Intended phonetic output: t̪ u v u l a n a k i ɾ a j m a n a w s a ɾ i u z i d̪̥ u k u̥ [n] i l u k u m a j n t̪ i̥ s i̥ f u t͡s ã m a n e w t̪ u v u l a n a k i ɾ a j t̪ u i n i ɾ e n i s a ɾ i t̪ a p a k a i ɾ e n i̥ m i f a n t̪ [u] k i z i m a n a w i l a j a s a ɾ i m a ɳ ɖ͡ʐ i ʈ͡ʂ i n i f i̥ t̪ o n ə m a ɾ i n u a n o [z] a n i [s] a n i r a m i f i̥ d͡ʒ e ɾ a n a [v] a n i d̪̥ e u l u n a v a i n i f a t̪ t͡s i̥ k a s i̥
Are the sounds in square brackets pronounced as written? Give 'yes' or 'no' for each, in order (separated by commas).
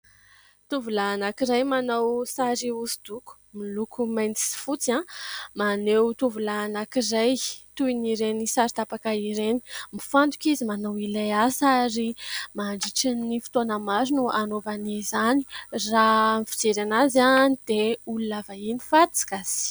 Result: no, yes, no, no, no